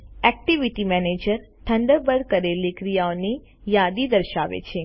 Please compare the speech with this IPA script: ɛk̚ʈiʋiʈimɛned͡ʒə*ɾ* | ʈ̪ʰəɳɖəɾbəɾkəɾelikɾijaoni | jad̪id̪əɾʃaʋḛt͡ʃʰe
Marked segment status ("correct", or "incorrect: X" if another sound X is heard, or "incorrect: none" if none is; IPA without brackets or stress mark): correct